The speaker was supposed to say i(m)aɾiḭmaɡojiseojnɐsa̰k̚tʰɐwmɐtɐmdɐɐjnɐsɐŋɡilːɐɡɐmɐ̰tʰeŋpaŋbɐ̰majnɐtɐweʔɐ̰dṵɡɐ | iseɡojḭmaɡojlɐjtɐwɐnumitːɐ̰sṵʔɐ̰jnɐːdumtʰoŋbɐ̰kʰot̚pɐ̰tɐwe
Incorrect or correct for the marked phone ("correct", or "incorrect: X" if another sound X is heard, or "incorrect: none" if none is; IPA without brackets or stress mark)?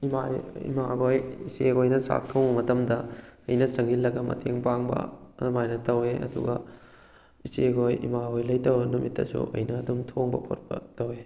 correct